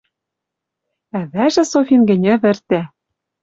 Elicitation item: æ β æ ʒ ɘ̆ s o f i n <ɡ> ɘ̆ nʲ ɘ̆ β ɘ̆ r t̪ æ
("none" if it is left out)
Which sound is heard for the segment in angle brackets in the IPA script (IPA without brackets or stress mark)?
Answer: ɡ